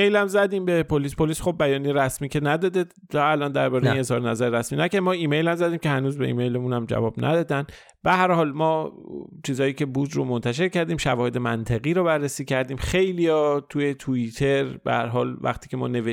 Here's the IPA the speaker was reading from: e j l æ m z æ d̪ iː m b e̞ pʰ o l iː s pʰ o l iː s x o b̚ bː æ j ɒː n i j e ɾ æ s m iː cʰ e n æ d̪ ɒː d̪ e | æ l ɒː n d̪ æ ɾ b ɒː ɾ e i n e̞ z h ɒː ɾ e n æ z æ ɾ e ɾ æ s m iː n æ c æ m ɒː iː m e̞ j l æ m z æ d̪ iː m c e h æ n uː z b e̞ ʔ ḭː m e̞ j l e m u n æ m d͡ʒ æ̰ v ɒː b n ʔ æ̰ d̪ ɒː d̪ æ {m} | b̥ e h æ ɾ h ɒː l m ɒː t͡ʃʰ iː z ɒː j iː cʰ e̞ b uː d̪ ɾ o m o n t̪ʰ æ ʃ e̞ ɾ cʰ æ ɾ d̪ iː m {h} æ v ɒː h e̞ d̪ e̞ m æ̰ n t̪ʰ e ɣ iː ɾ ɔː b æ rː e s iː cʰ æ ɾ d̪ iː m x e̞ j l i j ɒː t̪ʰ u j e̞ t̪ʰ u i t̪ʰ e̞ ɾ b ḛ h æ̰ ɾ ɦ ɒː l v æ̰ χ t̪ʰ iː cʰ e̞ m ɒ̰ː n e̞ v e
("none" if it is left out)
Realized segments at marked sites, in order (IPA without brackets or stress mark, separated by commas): n, ʃ